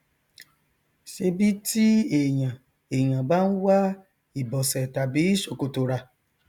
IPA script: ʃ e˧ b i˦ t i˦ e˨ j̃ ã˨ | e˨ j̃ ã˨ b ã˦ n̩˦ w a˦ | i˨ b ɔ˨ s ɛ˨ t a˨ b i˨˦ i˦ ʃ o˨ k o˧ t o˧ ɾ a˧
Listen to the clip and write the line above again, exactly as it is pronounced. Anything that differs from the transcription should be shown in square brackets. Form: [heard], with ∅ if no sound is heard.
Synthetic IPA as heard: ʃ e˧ b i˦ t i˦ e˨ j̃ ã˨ | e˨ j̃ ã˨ b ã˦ n̩˦ w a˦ | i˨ b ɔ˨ s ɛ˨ t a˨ b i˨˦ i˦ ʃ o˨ k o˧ t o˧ ɾ a˧